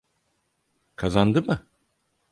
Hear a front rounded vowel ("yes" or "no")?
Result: no